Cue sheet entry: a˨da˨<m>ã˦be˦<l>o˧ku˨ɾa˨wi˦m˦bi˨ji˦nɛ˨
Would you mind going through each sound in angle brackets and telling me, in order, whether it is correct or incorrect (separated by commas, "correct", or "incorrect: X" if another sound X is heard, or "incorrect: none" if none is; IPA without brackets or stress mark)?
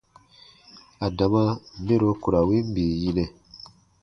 correct, incorrect: ɾ